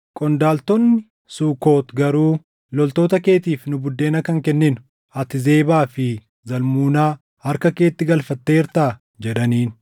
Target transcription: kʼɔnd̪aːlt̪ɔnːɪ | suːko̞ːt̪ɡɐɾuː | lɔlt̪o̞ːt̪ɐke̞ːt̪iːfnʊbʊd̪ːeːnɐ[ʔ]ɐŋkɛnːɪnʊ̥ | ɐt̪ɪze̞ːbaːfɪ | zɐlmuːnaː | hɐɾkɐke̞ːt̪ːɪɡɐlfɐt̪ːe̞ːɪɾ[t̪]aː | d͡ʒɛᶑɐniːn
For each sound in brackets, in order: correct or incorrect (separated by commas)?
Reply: incorrect, correct